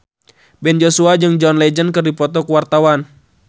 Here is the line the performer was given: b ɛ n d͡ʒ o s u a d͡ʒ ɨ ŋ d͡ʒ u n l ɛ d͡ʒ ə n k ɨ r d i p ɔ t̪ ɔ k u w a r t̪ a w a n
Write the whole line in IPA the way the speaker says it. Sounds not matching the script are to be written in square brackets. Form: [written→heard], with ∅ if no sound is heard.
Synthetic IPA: b ɛ n d͡ʒ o s u a d͡ʒ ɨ ŋ d͡ʒ [u→ɔ] n l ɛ d͡ʒ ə n k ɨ r d i p ɔ t̪ ɔ k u w a r t̪ a w a n